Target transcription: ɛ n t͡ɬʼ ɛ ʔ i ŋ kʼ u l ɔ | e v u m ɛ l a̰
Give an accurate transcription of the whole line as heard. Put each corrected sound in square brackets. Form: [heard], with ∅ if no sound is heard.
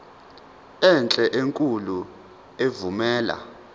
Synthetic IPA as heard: ɛ n t͡ɬʼ ɛ ʔ [e] ŋ kʼ u l [u] | e v u m [ɛː] l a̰

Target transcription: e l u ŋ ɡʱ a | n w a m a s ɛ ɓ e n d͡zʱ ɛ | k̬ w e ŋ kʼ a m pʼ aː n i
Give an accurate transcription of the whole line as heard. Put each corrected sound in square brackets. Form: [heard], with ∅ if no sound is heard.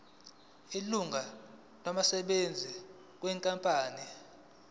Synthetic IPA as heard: [i] l u ŋ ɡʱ a | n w a m a s ɛ ɓ e n d͡zʱ [i] | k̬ w [ɛ] ŋ kʼ a m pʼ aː n i

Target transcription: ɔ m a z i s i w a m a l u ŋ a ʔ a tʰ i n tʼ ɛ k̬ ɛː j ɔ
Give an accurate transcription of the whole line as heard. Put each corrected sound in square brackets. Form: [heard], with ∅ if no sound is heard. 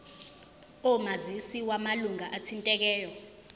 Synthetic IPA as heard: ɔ m a z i s i w a m a l u ŋ a ʔ a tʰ i n tʼ ɛ k̬ ɛː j ɔ

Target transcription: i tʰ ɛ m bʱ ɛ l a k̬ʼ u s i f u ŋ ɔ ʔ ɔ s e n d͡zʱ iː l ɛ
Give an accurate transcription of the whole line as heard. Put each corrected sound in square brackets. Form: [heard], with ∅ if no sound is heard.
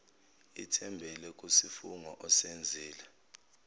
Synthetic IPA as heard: i tʰ ɛ m bʱ ɛ l [ɛ] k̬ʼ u s i f u ŋ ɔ ʔ ɔ s e n d͡zʱ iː l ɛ

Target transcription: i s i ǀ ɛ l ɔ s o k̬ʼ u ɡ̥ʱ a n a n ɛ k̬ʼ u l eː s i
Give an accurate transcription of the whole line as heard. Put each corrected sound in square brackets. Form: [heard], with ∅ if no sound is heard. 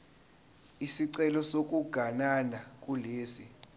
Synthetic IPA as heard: i s i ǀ ɛ l ɔ s o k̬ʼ u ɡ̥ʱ a n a n [a] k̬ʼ u l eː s i

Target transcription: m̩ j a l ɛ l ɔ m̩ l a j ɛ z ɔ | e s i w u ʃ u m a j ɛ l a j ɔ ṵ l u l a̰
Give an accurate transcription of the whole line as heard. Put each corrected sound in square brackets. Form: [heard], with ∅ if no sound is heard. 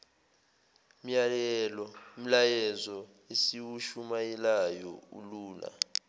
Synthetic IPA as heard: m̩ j a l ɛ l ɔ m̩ l a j ɛ z ɔ | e s i w u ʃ u m a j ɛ l a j ɔ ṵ l [uː] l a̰

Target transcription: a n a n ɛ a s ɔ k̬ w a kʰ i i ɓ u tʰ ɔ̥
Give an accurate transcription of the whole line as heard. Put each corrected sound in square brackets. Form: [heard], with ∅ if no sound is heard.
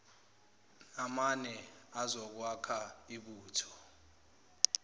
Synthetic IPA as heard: a [m] a n ɛ a [z] ɔ k̬ w a kʰ [a] i ɓ [uː] tʰ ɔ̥

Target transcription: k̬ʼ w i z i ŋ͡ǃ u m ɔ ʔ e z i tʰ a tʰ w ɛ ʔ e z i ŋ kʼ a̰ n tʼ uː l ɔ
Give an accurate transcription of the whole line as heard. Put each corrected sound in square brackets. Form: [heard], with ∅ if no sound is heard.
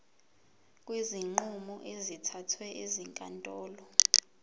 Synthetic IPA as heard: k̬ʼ w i z i ŋ͡ǃ u m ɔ ʔ e z i tʰ a tʰ w ɛ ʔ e z i ŋ kʼ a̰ n tʼ [ɔː] l ɔ

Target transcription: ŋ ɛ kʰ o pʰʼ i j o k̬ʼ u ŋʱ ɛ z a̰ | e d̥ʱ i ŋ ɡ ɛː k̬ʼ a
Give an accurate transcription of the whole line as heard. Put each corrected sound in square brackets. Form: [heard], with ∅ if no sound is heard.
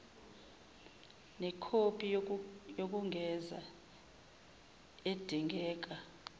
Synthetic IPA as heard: [n] ɛ kʰ o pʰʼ i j o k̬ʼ u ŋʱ ɛ z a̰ | e d̥ʱ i ŋ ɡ ɛː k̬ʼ a

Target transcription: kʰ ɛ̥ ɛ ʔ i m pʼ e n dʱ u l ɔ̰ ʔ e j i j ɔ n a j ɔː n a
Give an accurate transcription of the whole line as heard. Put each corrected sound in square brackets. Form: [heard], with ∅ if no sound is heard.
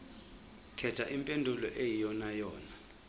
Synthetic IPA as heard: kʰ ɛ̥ [a] ʔ i m pʼ e n dʱ u l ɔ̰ ʔ e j i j ɔ n a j ɔː n a

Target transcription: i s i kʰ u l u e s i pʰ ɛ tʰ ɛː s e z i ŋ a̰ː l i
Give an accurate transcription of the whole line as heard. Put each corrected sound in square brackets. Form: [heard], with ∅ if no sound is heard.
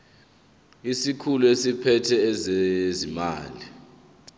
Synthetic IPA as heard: i s i kʰ u l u e s i pʰ ɛ tʰ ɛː [z] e z i [m] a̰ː l i

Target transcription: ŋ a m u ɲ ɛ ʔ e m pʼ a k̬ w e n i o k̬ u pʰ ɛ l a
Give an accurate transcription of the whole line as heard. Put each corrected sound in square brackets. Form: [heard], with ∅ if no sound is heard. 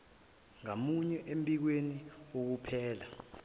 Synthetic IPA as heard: ŋ a m u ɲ ɛ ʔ e m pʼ [i] k̬ w e n i o k̬ u pʰ [ɛː] l a

